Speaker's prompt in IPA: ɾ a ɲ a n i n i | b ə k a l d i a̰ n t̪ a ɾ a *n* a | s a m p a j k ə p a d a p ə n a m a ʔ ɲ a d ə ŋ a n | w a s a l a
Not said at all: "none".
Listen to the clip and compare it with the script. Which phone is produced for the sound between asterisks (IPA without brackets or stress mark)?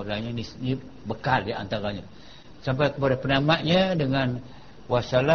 ɲ